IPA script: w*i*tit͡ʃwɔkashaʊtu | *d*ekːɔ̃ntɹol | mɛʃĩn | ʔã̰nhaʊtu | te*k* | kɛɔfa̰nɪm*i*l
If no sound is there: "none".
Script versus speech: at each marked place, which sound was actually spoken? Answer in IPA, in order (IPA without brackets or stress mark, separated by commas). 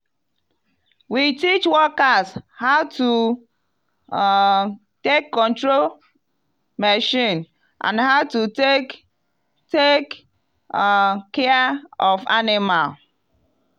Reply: i, t, k, a